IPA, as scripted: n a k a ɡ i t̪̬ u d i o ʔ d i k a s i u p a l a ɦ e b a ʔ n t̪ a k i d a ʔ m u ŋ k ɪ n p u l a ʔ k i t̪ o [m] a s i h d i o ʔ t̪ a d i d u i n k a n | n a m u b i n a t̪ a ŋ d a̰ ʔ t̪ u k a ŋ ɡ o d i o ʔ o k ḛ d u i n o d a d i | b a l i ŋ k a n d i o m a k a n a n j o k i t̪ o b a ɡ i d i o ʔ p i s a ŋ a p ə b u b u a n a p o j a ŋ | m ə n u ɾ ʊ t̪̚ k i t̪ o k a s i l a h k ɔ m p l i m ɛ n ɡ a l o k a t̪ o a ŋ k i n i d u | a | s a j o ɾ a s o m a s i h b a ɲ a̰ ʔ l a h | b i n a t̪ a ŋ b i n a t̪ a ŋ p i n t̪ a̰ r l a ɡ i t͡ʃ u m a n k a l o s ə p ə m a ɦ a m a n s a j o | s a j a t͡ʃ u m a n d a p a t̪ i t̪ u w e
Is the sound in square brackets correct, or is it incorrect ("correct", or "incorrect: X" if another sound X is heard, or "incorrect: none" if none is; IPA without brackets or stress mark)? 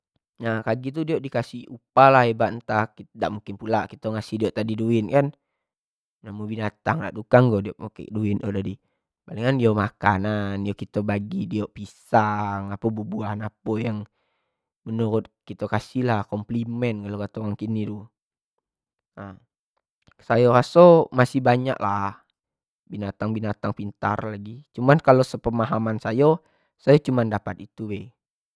incorrect: ŋ